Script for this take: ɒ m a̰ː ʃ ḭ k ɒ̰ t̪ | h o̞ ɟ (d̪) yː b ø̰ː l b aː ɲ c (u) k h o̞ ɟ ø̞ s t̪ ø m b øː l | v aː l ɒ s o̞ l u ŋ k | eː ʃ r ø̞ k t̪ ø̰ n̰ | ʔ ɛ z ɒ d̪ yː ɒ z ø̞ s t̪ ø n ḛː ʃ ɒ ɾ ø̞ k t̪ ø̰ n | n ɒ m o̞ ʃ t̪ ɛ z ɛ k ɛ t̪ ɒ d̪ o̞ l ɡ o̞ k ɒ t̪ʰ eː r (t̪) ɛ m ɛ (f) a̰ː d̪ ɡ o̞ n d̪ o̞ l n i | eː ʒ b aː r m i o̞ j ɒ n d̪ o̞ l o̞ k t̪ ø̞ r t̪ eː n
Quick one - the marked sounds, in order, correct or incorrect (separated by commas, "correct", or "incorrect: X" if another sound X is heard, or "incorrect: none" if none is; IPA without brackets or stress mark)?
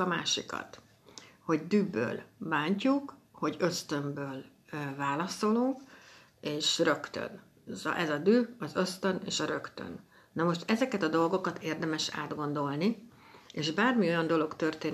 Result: correct, correct, incorrect: d̪, incorrect: ʃ